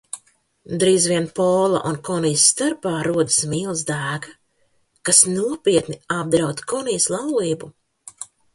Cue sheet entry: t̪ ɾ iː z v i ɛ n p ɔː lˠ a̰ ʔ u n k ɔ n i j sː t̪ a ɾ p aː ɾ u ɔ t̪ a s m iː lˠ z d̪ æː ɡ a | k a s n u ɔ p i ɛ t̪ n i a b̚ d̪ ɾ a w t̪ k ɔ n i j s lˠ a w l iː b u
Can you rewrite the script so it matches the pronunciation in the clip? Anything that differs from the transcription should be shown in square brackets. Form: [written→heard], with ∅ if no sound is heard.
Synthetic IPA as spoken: [t̪→d̪] ɾ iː z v i ɛ n p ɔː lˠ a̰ ʔ u n k ɔ n i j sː t̪ a ɾ p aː ɾ u ɔ [t̪→d̪] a s m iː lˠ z d̪ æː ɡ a | k a s n u ɔ p i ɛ t̪ n i a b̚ d̪ ɾ a w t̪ k ɔ n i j s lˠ a w l iː b u

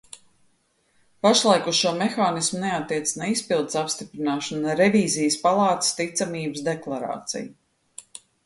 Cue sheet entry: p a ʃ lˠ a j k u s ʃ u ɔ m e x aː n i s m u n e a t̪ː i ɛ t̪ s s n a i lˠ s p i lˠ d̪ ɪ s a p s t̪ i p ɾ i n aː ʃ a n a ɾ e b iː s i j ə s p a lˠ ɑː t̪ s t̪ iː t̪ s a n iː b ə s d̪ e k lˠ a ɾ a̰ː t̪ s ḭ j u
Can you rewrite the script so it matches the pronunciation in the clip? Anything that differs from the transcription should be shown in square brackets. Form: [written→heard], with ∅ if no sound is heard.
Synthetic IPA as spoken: p a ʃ lˠ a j k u s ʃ u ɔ m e x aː n i s m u n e a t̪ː i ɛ t̪ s s n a i [lˠ→∅] s p i lˠ d̪ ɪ s a p s t̪ i p ɾ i n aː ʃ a n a ɾ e [b→v] iː [s→z] i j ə s p a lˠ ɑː t̪ s t̪ [iː→i] t̪ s a [n→m] iː b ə s d̪ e k lˠ a ɾ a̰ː t̪ s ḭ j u

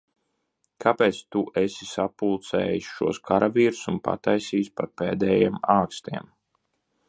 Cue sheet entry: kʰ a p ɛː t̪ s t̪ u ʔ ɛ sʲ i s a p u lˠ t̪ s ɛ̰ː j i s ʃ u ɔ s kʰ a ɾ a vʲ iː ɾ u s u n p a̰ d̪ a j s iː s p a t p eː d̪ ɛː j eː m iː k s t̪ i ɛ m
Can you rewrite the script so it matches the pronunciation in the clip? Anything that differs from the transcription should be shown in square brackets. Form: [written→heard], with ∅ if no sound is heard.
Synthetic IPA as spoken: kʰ a p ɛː t̪ s t̪ u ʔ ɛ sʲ i s a p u lˠ t̪ s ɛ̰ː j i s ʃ u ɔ s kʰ a ɾ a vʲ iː ɾ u s u n p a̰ [d̪→t̪] a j s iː s p a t p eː d̪ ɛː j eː m [iː→aː] k s t̪ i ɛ m

